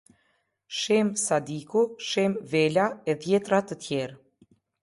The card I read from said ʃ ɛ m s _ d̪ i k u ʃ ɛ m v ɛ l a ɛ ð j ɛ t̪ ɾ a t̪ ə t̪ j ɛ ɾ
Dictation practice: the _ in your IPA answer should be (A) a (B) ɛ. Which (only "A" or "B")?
A